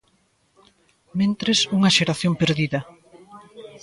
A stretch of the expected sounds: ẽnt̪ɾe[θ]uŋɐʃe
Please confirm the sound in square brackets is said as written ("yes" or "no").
no